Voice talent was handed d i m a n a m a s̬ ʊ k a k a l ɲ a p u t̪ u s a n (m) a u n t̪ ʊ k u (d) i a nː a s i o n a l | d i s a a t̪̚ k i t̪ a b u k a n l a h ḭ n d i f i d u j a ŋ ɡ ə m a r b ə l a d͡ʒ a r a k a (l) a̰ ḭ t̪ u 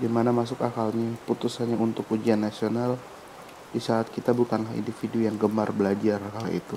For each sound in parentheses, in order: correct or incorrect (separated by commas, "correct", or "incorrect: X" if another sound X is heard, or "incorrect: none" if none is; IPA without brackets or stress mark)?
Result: incorrect: ɲ, incorrect: d͡ʒ, correct